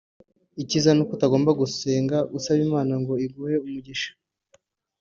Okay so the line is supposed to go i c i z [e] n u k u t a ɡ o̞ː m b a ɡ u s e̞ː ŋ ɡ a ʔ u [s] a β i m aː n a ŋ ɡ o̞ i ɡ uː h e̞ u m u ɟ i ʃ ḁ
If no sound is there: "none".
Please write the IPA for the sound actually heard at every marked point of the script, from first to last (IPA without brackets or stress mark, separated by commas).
a, s